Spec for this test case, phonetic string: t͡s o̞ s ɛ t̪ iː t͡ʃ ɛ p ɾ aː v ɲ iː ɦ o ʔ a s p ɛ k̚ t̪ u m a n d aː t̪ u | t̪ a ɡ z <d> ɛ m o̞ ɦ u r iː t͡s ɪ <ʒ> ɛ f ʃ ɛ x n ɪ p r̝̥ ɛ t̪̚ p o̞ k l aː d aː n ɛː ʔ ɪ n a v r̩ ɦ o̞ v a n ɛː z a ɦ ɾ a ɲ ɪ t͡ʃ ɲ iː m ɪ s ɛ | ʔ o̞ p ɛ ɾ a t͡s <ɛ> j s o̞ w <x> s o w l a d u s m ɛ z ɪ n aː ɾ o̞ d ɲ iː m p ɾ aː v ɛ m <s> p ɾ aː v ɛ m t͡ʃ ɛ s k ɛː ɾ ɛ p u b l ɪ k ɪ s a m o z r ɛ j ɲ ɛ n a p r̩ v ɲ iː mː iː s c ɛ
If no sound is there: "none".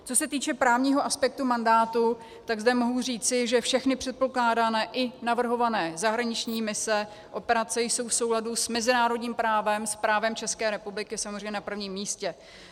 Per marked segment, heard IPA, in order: d, ʒ, ɛ, f, s

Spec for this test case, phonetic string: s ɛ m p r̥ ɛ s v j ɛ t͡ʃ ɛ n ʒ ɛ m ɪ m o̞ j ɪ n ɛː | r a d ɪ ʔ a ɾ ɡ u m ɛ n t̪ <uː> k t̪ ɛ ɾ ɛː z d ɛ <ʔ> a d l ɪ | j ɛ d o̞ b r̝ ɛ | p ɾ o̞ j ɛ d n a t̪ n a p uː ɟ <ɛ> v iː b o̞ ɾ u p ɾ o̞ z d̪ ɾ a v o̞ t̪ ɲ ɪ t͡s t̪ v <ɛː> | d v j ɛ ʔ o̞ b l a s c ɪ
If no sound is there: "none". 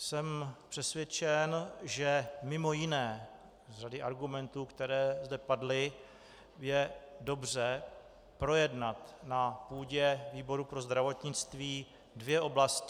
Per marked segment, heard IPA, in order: uː, p, ɛ, iː

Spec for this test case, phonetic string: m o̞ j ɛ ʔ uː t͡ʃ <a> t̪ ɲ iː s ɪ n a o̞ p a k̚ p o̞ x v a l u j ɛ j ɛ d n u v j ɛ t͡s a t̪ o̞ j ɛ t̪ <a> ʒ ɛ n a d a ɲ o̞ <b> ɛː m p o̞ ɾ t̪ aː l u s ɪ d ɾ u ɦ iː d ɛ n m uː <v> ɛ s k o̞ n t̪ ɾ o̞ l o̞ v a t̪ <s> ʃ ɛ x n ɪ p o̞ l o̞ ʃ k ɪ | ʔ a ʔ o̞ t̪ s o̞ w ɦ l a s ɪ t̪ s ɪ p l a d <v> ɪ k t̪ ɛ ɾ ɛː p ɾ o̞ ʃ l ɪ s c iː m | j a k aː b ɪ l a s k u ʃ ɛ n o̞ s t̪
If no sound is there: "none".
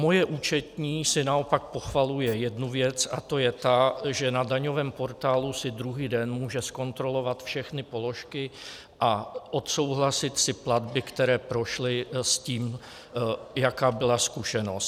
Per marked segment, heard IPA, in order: ɛ, a, v, ʒ, f, b

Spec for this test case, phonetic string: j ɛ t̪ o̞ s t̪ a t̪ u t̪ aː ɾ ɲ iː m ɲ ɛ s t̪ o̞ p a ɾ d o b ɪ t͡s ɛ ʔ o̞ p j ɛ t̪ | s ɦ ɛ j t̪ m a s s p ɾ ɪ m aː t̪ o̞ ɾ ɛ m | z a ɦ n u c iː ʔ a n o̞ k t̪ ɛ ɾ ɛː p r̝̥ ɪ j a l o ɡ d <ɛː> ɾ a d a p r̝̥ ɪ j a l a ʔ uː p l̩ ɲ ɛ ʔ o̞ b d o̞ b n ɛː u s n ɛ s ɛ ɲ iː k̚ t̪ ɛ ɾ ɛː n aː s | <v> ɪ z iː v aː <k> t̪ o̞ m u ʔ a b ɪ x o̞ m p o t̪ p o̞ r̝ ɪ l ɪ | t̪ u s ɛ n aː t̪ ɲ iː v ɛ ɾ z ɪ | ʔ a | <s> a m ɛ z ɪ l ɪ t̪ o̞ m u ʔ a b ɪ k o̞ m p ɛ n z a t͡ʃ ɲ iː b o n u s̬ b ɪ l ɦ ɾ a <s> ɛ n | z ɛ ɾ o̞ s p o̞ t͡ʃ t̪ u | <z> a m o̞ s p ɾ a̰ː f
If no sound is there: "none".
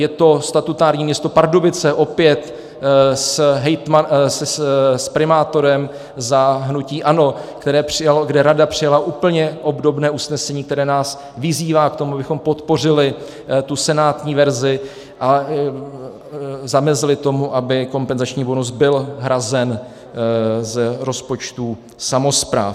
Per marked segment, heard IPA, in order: ɛ, v, k, z, z, s

